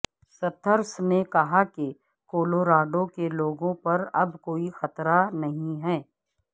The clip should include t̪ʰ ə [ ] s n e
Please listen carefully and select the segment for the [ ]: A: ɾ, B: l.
A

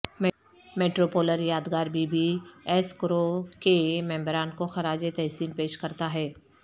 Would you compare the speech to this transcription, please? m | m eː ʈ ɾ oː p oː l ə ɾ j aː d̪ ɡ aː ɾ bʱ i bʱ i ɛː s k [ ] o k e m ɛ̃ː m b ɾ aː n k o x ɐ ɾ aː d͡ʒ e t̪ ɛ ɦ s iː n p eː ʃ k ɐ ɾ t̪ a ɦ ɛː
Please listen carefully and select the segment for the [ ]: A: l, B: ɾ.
B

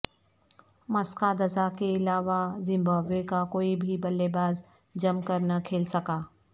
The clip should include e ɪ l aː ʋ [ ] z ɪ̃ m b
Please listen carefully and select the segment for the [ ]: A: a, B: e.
A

